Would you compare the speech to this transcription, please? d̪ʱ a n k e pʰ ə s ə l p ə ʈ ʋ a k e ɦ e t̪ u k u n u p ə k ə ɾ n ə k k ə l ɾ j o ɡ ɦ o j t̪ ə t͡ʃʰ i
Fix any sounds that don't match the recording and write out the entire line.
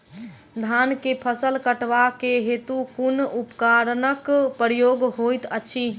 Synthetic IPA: d̪ʱ a n k e pʰ ə s ə l k ə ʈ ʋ a k e ɦ e t̪ u k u n u p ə k a ɾ n ə k p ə ɾ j o ɡ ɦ o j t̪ ə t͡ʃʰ i

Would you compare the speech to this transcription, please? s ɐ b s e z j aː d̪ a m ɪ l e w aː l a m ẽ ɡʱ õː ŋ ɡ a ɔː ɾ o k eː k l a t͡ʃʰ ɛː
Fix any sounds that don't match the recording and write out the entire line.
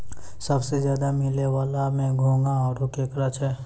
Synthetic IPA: s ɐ b s e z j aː d̪ a m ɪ l e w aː l a m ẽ ɡʱ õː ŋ ɡ a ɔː ɾ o k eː k ɾ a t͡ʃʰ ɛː

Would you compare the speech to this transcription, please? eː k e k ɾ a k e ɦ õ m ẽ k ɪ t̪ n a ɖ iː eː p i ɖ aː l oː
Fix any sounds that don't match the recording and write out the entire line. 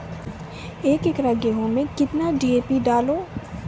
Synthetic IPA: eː k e k ɾ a ɡ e ɦ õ m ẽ k ɪ t̪ n a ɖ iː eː p i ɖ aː l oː

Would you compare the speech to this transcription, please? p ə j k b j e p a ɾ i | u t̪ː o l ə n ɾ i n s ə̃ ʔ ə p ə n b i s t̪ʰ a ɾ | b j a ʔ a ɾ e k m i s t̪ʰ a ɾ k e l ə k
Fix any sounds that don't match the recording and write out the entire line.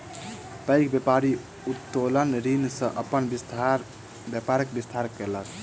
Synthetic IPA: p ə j k b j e p a ɾ i | u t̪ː o l ə n ɾ i n s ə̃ ʔ ə p ə n b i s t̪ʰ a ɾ | b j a p a ɾ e k b i s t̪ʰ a ɾ k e l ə k

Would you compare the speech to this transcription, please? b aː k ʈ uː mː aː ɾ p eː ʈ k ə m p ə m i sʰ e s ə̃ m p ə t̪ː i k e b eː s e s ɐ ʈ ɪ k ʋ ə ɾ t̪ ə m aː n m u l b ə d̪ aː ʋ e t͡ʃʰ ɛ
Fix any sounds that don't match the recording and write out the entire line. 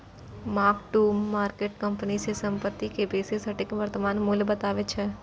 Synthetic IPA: m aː k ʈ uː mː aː ɾ k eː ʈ k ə m p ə n i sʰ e s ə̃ m p ə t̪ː i k e b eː s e s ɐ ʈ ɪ k ʋ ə ɾ t̪ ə m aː n m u l b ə t̪ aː ʋ e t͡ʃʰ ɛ

